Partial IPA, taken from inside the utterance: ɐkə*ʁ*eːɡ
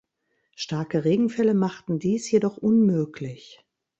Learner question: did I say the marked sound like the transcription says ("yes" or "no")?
yes